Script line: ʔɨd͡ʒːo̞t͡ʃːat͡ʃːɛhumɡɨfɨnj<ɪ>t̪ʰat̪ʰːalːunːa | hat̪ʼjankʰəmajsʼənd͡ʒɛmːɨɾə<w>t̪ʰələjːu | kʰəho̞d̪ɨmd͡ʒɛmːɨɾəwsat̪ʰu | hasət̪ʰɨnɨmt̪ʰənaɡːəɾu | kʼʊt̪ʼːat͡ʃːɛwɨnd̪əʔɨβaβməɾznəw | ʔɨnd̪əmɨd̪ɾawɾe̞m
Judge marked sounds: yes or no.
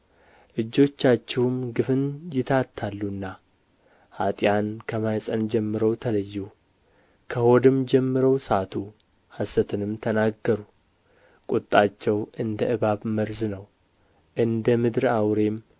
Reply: yes, yes

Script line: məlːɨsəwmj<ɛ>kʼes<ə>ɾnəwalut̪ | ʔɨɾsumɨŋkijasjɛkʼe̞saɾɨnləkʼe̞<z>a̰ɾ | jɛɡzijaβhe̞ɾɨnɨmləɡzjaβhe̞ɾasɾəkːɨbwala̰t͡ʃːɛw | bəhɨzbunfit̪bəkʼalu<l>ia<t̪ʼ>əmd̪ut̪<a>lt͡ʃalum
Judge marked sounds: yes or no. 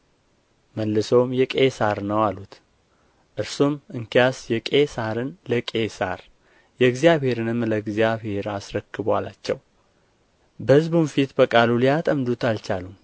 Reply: yes, no, no, yes, yes, yes

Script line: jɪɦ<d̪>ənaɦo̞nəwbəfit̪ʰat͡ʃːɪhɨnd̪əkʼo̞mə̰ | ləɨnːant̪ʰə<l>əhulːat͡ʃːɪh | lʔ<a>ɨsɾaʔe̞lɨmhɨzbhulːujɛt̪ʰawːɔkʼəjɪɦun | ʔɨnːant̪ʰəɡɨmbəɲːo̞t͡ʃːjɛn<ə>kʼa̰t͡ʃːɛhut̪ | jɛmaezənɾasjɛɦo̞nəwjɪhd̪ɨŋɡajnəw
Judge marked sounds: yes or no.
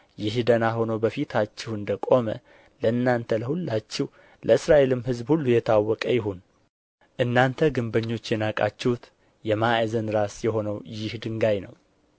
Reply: yes, yes, no, no

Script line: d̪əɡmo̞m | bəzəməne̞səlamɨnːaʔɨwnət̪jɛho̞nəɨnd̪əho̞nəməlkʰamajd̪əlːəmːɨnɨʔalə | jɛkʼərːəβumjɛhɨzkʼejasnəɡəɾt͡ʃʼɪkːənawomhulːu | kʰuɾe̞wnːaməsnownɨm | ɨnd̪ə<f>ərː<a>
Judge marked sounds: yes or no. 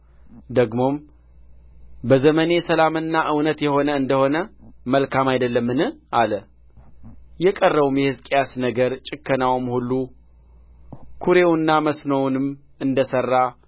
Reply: no, yes

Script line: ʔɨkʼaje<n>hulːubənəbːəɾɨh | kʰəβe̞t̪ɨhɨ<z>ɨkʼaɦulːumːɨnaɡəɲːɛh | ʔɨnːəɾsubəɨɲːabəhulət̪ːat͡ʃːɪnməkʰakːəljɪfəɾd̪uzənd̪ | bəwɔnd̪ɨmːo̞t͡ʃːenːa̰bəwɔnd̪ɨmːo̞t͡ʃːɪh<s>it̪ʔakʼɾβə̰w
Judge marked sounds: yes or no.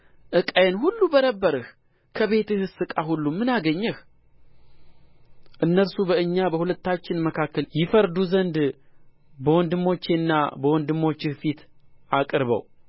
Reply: yes, no, no

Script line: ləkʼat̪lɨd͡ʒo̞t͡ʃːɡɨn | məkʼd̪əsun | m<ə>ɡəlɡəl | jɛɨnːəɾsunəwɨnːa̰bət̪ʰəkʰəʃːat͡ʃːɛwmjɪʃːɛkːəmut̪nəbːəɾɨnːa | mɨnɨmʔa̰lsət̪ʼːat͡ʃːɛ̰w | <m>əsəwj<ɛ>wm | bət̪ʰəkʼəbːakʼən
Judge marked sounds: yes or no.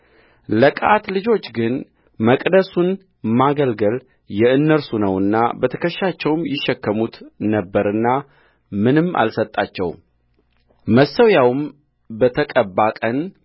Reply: no, yes, no

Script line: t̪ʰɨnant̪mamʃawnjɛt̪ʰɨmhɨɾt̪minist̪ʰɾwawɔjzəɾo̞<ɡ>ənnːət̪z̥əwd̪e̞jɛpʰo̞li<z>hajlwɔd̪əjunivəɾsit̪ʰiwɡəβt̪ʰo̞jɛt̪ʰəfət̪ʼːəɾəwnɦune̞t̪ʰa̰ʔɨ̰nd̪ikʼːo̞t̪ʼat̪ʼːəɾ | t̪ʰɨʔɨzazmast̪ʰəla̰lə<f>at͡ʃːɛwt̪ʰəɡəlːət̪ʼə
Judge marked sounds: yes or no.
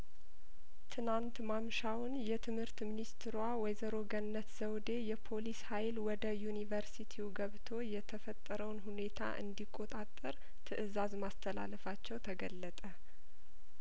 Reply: yes, no, yes

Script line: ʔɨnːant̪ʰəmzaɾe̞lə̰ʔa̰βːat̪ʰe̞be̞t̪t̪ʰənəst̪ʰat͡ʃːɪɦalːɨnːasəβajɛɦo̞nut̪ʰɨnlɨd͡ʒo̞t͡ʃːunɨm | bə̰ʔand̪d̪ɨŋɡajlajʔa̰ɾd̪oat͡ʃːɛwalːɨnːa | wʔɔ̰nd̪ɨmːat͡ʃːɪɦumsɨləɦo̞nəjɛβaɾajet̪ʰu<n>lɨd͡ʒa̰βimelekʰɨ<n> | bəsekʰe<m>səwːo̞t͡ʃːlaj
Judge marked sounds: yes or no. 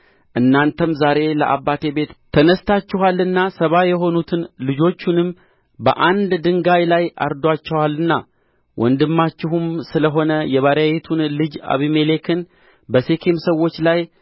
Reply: yes, yes, yes

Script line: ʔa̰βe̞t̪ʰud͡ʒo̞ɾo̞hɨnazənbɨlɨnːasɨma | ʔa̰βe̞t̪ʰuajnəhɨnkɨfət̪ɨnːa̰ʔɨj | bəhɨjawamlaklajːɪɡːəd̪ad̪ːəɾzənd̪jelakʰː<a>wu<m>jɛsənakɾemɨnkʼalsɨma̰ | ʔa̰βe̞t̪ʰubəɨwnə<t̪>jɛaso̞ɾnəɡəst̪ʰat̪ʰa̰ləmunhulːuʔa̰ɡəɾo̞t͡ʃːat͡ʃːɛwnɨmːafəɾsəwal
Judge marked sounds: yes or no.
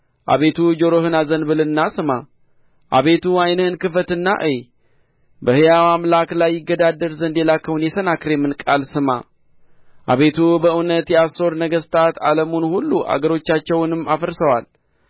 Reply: no, no, yes

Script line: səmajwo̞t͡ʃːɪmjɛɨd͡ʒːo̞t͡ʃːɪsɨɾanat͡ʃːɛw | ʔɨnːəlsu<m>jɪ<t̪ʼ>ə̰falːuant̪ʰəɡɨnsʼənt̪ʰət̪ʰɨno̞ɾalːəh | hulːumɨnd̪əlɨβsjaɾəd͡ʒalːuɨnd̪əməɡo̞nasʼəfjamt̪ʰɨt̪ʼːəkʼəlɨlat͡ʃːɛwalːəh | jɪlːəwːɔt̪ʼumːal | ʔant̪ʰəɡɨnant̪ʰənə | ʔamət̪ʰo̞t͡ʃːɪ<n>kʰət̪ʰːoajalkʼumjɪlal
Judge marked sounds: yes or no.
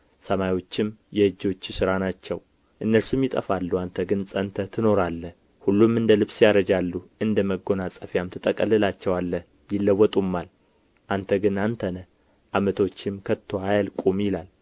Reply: yes, yes, no

